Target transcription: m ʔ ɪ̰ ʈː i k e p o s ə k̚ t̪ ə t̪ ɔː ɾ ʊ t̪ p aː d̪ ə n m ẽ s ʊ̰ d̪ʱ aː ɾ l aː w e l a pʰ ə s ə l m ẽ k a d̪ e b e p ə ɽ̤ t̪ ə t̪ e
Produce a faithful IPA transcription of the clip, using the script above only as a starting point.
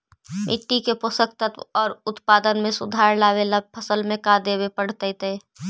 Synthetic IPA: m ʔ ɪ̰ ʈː i k e p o s ə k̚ t̪ ə t̪ ɔː ɾ ʊ t̪ p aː d̪ ə n m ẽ s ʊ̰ d̪ʱ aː ɾ l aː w e l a pʰ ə s ə l m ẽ k a d̪ e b e p ə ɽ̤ t̪ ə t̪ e